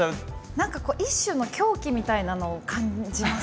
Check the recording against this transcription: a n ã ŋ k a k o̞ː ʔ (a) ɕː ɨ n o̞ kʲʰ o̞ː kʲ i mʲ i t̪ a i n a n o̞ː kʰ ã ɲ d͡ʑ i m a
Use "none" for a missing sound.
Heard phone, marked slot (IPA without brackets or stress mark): i